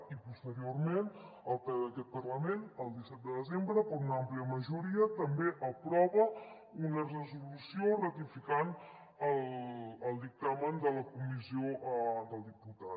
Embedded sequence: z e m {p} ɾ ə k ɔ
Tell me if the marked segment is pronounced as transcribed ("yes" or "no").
no